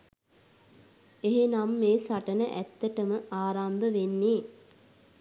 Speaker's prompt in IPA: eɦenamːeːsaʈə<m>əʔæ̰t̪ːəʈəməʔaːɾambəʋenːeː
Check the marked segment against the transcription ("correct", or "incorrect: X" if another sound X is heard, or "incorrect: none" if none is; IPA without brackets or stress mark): incorrect: n